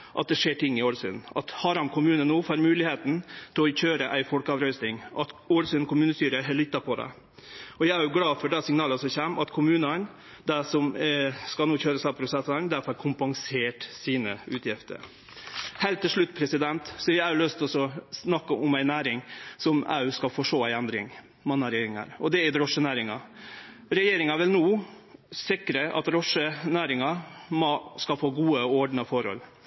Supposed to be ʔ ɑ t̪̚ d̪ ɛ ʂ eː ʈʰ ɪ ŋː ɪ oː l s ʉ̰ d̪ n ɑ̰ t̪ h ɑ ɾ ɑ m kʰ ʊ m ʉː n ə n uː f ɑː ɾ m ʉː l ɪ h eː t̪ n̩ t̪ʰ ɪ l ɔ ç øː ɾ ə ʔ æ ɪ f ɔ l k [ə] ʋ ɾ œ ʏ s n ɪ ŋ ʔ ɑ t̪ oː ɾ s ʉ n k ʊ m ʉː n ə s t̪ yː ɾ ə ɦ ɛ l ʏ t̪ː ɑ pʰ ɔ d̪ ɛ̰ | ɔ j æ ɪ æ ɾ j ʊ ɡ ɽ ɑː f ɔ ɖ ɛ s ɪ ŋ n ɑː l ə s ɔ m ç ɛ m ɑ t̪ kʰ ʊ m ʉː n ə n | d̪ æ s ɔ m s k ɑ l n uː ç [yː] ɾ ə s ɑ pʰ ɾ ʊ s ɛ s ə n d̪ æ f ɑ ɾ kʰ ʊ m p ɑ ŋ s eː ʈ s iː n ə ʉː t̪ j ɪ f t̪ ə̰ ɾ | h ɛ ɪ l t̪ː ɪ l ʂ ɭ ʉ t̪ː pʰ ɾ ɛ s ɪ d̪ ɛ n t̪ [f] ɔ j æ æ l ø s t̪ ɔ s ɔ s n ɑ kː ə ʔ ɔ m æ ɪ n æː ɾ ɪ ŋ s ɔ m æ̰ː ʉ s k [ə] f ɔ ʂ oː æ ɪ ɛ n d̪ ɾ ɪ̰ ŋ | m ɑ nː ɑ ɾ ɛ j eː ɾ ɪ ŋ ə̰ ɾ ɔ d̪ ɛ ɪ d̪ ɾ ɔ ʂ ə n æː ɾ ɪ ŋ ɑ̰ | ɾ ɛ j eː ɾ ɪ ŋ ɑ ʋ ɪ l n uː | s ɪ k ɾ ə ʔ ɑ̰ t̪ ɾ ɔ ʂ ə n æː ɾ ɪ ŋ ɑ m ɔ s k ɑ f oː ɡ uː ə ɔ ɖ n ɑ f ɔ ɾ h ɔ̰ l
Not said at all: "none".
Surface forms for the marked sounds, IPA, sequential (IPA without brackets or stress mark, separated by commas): ɑ, øː, s, ɑ